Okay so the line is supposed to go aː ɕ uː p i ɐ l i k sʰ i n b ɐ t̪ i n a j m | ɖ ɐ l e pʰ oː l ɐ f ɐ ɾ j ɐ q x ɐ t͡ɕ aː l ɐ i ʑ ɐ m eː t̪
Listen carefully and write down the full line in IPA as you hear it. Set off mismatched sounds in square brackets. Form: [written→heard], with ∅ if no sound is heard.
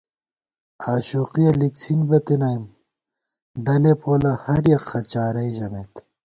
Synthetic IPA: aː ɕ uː [p→q] i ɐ l i k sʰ i n b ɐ t̪ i n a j m | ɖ ɐ l e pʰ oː l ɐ [f→h] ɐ ɾ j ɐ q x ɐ t͡ɕ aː [l→ɾ] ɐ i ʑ ɐ m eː t̪